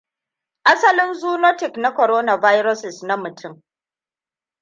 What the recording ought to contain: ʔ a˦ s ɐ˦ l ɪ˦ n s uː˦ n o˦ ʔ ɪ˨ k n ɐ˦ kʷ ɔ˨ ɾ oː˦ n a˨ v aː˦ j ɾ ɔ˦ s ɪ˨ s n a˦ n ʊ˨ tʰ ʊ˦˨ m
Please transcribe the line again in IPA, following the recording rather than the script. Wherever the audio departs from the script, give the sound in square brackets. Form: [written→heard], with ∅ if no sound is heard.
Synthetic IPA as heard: ʔ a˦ s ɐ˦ l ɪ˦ n [s→z] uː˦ n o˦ [ʔ→t] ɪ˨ k n [ɐ˦→a˦] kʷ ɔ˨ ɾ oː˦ n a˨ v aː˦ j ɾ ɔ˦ s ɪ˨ s n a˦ [n→m] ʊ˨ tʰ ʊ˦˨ m